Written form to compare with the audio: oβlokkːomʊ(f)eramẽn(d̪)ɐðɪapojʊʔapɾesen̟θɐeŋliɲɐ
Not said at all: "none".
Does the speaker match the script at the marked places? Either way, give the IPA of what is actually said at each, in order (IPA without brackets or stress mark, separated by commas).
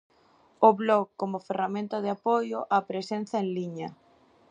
f, t̪